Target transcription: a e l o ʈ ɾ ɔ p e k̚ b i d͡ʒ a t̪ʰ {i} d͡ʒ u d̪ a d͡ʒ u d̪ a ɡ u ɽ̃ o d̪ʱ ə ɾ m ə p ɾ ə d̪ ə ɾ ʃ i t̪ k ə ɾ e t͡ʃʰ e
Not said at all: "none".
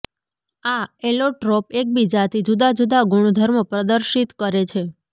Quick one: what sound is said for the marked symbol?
i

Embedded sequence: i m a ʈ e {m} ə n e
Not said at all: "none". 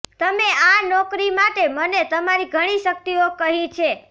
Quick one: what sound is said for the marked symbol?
m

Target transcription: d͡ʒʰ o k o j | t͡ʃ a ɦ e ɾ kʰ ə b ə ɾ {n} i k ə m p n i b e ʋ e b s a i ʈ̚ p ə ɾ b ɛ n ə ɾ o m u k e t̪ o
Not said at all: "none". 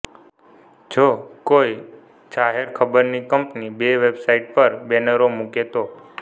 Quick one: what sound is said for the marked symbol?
n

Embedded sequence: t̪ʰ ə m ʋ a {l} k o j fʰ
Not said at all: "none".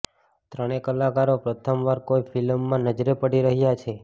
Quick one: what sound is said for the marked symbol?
ɾ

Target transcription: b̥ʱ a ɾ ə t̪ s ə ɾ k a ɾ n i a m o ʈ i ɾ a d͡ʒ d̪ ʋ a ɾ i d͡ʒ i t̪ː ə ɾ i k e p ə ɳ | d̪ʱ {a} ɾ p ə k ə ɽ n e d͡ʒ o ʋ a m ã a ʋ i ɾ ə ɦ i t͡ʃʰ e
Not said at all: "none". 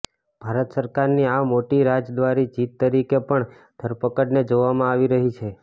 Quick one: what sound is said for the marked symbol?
ə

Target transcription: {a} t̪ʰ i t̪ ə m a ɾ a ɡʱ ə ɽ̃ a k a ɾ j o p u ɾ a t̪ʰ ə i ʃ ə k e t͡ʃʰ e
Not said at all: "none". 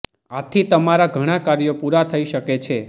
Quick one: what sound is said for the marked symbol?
a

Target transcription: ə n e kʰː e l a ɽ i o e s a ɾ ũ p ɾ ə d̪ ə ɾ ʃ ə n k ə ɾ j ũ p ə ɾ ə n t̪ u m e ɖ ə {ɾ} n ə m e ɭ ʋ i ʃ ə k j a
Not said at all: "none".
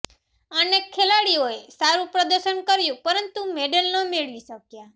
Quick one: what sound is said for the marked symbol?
l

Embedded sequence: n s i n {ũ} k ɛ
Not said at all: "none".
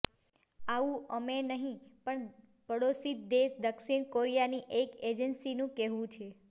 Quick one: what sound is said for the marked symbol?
ũ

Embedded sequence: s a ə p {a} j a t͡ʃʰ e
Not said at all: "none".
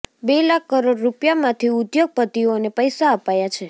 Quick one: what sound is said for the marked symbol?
a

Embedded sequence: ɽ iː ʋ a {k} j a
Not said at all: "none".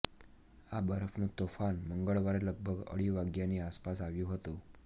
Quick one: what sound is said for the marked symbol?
ɡ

